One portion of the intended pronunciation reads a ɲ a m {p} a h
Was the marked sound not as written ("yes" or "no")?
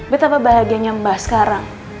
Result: yes